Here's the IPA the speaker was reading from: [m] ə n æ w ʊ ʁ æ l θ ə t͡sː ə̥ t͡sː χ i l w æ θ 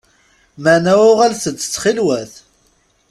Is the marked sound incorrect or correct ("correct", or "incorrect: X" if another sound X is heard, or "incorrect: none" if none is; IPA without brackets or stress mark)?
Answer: correct